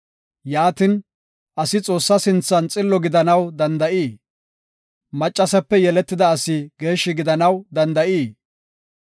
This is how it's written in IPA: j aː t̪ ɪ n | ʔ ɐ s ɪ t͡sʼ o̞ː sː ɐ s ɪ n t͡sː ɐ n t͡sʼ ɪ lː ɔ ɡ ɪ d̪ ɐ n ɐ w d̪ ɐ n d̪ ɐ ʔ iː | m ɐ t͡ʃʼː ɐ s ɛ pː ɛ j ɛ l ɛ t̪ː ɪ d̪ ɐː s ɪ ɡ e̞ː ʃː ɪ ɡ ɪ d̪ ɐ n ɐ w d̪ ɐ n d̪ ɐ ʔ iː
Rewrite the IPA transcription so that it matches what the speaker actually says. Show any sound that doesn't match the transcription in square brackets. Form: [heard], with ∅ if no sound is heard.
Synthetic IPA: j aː t̪ ɪ n | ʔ ɐ s ɪ t͡sʼ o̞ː sː ɐ s ɪ n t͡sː ɐ n t͡sʼ ɪ lː ɔ ɡ ɪ d̪ ɐ n ɐ w d̪ ɐ n d̪ ɐ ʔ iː | m ɐ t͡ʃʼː ɐ s ɛ pː ɛ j ɛ l ɛ t̪ː ɪ d̪ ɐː s ɪ ɡ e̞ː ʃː ɪ ɡ ɪ d̪ ɐ n ɐ w d̪ ɐ n d̪ ɐ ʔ iː